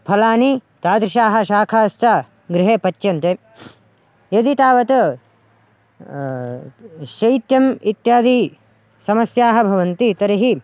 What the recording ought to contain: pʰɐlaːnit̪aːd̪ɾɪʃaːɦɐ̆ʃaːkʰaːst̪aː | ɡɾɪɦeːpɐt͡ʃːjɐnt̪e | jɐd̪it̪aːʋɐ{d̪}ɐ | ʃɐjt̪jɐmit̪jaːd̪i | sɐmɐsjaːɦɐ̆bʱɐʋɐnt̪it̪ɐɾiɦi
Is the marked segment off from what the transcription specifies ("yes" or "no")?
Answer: yes